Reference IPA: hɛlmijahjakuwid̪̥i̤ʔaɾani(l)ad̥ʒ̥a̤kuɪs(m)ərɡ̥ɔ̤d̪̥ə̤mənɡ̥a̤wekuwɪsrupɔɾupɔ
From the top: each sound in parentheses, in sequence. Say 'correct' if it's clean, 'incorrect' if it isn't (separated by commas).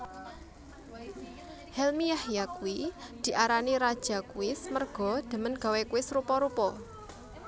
incorrect, correct